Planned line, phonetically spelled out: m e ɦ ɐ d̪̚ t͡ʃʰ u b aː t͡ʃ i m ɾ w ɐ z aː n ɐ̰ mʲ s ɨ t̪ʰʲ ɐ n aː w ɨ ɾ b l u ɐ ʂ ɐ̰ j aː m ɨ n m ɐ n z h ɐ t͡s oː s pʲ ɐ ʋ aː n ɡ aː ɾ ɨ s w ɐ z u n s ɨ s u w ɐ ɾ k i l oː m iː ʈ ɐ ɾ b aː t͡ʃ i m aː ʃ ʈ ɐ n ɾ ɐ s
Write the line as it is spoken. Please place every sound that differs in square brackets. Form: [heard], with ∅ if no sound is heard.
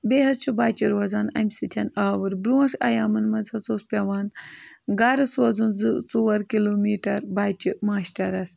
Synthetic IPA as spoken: [b] e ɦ ɐ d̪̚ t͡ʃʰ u b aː t͡ʃ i [∅] ɾ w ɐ z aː n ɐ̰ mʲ s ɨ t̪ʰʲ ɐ n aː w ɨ ɾ b [ɾ] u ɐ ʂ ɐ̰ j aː m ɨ n m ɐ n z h ɐ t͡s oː s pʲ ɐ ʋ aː n ɡ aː ɾ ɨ s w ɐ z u n [z] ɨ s u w ɐ ɾ k i l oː m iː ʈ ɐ ɾ b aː t͡ʃ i m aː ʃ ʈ ɐ [∅] ɾ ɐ s